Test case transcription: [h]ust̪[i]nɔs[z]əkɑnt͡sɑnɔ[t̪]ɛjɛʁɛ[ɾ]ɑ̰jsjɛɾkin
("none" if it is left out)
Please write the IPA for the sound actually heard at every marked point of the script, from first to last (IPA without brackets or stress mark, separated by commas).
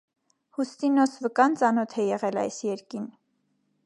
h, i, v, t̪ʰ, l